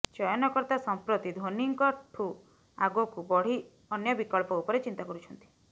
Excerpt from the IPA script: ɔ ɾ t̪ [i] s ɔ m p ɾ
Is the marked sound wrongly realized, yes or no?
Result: yes